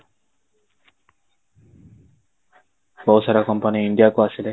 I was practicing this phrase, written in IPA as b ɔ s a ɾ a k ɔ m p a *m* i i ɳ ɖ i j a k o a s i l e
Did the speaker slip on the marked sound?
yes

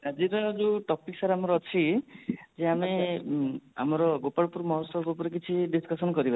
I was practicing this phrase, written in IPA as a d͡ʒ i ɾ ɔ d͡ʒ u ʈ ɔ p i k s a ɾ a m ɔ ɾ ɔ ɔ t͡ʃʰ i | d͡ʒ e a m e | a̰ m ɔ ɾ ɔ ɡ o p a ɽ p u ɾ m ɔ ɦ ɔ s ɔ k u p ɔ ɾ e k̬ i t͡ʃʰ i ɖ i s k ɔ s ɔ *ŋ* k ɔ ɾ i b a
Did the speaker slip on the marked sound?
yes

